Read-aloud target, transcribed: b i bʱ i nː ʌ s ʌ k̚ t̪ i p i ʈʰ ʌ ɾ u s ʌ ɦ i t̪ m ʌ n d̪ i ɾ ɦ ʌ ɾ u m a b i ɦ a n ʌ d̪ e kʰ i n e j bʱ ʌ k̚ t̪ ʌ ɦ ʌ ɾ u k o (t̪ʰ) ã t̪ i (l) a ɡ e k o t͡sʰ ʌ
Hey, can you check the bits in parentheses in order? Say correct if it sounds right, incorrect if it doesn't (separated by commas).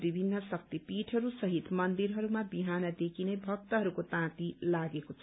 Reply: incorrect, correct